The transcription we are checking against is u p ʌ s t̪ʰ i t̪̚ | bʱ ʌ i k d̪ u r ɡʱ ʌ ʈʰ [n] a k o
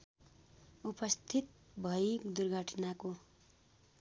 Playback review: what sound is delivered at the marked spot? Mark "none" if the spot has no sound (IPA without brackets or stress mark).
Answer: n